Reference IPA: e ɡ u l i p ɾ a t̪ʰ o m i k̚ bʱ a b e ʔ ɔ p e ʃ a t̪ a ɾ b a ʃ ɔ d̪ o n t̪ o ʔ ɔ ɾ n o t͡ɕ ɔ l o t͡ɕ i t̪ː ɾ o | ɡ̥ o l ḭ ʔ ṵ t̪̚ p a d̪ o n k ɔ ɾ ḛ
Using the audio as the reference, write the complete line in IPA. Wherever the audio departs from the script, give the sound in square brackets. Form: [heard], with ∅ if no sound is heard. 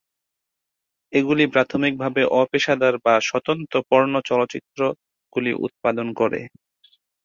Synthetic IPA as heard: e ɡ u l i p ɾ a t̪ʰ o m i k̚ bʱ a b e ʔ ɔ p e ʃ a [d̪] a ɾ b a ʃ ɔ [t̪] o n t̪ o [p] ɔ ɾ n o t͡ɕ ɔ l o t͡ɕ i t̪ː ɾ o | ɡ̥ [u] l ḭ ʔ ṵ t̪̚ p a d̪ o n k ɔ ɾ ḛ